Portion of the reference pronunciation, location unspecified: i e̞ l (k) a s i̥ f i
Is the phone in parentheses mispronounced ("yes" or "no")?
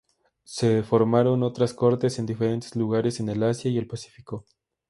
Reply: yes